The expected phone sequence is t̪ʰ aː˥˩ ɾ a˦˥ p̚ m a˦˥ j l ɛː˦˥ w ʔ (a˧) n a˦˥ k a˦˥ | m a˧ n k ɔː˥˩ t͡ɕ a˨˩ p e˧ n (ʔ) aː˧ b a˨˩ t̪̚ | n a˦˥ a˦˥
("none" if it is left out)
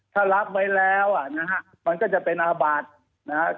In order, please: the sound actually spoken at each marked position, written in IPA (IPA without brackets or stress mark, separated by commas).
a˨˩, ʔ